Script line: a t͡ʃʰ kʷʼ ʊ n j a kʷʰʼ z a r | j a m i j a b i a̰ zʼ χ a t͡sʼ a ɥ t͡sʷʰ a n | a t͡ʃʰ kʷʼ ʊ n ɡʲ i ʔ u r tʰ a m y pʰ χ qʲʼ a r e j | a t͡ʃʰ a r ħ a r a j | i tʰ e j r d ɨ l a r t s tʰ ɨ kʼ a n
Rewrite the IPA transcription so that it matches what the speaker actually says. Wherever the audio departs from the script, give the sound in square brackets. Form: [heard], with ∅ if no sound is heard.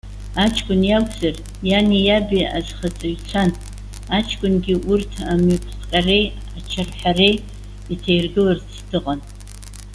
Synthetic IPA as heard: a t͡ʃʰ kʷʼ ʊ n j a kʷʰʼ z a r | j a [n] i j a b i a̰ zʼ χ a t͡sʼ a ɥ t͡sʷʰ a n | a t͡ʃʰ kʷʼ ʊ n ɡʲ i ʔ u r tʰ a m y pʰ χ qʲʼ a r e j | a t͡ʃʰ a r ħ a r [e] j | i tʰ e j r [ɡ] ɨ l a r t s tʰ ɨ [qʼ] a n